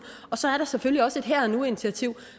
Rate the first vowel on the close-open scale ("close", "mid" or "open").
open